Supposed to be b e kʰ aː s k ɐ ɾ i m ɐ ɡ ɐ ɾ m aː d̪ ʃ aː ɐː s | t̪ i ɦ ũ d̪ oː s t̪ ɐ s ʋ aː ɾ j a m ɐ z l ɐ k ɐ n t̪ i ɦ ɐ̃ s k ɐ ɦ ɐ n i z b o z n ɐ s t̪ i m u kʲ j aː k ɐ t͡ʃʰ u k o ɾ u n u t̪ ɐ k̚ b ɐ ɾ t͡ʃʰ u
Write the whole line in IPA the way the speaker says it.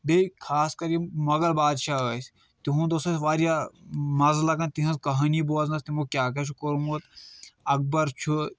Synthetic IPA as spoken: b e kʰ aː s k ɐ ɾ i m ɐ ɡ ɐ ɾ b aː d̪ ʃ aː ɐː s | t̪ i ɦ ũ d̪ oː s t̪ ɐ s ʋ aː ɾ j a m ɐ z l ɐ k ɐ n t̪ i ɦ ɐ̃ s k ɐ ɦ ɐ n i b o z n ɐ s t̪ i m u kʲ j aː k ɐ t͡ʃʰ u k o ɾ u m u t̪ ɐ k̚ b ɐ ɾ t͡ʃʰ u